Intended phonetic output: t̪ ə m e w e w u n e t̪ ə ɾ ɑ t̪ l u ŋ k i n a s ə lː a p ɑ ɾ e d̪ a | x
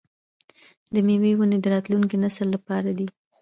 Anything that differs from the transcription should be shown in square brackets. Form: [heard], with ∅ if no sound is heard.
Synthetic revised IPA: [d̪] ə m e w e w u n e [d̪] ə ɾ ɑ t̪ l u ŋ k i n a s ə lː a p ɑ ɾ [a] d̪ [i] | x